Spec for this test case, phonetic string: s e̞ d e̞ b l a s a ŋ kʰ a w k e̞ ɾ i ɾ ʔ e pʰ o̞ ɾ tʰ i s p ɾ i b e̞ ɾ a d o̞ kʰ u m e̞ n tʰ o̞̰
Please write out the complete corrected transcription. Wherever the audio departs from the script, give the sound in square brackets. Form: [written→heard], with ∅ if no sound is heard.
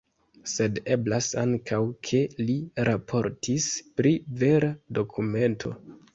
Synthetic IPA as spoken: s e̞ d e̞ b l a s a ŋ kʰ a w [k→kʰ] e̞ [ɾ→l] i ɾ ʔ [e→a] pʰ o̞ ɾ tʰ i s p ɾ i [b→v] e̞ ɾ a d o̞ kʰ u m e̞ n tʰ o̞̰